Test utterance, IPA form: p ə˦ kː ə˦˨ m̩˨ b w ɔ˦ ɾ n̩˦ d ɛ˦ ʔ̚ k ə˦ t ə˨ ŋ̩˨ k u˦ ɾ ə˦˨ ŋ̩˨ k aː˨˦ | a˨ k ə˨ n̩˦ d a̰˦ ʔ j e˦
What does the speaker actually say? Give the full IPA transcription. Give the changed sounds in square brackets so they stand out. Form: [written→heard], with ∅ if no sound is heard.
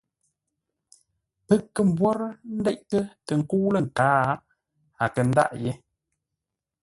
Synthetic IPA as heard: p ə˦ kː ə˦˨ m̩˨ b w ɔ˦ ɾ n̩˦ d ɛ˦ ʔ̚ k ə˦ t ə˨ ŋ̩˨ k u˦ [ɾ→l] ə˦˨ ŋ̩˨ k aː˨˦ | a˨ k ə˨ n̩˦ d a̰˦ ʔ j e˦